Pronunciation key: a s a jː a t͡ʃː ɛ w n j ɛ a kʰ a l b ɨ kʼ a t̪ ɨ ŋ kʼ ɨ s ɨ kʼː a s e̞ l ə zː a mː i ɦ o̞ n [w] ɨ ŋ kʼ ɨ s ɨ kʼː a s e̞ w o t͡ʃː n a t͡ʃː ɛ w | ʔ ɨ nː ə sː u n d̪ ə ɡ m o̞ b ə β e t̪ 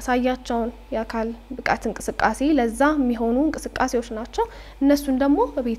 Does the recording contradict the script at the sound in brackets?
yes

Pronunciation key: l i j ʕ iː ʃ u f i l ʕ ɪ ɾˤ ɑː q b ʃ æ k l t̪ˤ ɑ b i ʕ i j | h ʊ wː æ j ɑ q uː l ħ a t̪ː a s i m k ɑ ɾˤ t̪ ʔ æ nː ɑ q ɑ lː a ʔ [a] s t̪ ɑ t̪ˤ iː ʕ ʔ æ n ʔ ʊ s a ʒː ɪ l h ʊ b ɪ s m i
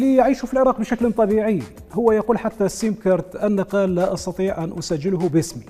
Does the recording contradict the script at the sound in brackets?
yes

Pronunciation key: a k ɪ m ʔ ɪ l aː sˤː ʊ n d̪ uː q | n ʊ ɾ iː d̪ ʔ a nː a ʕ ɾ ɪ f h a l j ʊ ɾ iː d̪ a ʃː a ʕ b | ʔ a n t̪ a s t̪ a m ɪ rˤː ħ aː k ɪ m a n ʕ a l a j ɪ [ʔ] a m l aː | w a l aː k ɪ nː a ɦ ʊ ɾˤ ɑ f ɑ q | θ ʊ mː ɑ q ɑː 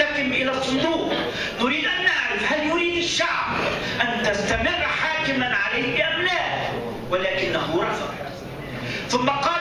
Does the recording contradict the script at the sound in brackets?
no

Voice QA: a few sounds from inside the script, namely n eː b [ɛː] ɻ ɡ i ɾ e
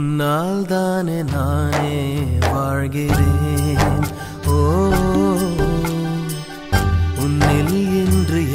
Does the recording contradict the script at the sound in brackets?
yes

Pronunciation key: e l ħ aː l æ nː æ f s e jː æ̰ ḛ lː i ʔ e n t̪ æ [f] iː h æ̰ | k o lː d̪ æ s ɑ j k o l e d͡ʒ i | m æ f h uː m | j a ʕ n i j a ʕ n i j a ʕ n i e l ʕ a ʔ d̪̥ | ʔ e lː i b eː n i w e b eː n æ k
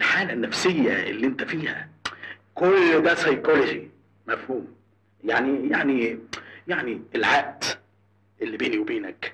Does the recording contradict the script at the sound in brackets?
no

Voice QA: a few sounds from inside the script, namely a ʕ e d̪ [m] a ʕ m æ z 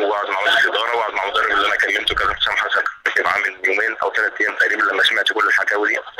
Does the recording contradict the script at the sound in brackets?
no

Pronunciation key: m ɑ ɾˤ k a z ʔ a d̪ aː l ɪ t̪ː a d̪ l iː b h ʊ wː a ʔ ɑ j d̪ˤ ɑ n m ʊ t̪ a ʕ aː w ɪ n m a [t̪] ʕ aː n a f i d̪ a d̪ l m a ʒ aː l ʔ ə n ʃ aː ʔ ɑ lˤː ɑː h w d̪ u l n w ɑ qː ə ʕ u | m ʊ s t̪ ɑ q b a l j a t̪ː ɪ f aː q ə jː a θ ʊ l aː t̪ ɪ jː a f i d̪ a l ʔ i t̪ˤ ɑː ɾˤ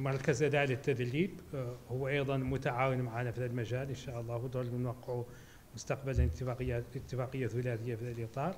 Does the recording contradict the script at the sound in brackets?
yes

